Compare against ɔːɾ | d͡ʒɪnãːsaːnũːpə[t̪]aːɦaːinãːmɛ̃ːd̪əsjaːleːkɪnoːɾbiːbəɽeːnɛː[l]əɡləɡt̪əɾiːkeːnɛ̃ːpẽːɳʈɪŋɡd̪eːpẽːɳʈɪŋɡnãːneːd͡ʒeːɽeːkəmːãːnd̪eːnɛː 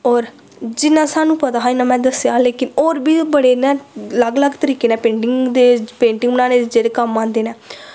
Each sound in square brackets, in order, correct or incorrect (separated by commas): correct, correct